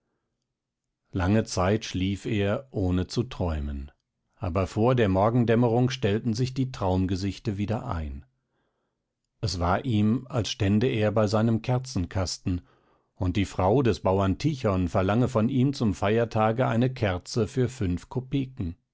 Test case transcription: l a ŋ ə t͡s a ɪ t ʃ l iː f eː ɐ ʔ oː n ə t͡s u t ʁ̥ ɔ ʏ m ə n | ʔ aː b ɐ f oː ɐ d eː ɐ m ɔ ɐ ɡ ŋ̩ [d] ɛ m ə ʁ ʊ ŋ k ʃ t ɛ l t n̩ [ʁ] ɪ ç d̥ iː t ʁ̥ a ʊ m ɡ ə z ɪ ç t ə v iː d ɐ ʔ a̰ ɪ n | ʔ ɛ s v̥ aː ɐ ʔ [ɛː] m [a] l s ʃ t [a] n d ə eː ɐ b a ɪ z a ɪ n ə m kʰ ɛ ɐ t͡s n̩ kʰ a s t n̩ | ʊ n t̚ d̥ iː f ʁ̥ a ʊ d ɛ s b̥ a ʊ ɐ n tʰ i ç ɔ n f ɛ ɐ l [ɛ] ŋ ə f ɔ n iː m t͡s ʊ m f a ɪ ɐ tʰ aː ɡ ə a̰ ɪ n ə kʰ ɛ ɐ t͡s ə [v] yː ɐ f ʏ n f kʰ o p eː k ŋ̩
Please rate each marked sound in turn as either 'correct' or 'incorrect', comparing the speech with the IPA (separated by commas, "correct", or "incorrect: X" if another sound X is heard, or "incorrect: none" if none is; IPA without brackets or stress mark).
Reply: correct, incorrect: z, incorrect: iː, correct, incorrect: ɛ, incorrect: a, incorrect: f